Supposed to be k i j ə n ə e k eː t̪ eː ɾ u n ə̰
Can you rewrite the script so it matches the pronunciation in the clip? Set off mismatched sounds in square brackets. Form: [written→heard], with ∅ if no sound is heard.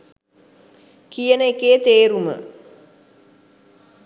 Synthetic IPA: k i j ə n ə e k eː t̪ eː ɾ u [n→m] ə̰